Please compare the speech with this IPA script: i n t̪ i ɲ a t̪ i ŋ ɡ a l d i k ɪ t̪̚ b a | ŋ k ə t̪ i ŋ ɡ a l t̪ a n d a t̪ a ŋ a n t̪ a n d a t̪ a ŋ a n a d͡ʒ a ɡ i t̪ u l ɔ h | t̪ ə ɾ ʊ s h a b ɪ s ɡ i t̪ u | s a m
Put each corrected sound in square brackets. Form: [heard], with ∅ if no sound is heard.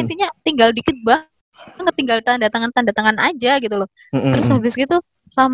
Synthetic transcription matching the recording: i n t̪ i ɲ a t̪ i ŋ ɡ a l d i k ɪ t̪̚ b a | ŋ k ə t̪ i ŋ ɡ a l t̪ a n d a t̪ a ŋ a n t̪ a n d a t̪ a ŋ a n a d͡ʒ a ɡ i t̪ u l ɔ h | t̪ ə ɾ ʊ s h a b ɪ s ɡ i t̪ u | s a m